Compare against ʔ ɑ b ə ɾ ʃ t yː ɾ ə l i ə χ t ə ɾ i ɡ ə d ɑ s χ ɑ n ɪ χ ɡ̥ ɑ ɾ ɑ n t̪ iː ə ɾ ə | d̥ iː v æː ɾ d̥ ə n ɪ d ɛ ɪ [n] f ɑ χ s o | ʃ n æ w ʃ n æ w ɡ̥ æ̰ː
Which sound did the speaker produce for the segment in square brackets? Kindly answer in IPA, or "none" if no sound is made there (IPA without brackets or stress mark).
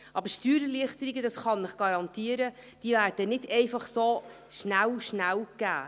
none